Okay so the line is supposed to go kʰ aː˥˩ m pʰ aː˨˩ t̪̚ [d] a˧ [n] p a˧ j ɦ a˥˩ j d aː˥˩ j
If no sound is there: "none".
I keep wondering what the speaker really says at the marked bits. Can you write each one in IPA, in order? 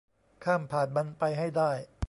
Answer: b, n

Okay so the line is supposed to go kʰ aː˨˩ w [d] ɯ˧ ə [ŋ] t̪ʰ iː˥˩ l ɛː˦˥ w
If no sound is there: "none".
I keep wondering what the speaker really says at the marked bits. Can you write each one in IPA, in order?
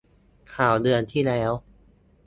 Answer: d, n

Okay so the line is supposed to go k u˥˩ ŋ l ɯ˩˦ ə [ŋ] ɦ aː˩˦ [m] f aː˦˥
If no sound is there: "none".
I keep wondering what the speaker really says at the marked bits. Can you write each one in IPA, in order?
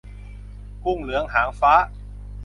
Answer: ŋ, ŋ

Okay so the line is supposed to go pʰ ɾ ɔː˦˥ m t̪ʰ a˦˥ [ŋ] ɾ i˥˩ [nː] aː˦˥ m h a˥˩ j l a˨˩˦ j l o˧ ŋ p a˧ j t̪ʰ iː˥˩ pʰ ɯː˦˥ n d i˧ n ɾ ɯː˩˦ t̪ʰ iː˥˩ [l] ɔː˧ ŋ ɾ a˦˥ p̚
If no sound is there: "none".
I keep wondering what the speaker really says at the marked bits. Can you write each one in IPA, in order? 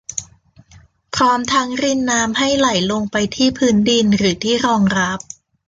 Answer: ŋ, nː, ɾ

